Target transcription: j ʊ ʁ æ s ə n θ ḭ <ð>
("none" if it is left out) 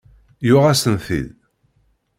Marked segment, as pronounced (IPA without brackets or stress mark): ð